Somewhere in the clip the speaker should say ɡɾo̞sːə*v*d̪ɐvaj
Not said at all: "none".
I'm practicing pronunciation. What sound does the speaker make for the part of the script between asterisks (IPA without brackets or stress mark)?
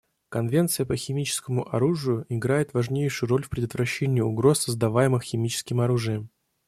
z